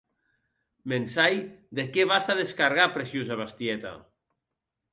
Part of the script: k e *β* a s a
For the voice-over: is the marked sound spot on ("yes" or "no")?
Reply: yes